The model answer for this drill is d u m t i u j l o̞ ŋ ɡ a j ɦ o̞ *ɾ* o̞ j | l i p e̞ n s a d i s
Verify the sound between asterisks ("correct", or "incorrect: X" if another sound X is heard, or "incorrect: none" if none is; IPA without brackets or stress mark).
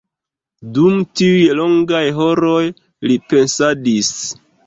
correct